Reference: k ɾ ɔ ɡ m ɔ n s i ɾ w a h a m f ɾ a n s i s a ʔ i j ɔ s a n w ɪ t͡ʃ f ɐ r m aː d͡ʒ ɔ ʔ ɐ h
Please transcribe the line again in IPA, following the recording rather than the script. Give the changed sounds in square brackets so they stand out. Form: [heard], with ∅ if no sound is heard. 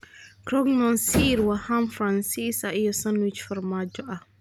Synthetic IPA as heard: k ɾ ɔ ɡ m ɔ n s i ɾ w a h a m f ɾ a n s i s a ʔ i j ɔ s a n w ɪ t͡ʃ f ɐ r m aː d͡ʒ ɔ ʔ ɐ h